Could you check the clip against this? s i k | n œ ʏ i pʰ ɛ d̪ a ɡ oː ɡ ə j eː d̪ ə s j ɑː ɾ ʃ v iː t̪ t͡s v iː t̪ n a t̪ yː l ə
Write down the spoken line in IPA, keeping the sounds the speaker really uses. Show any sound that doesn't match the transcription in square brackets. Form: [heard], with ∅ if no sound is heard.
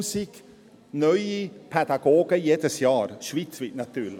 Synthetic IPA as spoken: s i k | n œ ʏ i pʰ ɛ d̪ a ɡ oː ɡ ə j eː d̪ ə s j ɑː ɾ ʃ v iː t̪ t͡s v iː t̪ n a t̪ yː l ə